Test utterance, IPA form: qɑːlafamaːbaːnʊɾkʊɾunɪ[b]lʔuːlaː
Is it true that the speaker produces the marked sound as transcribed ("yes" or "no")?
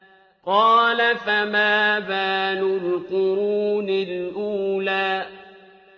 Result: no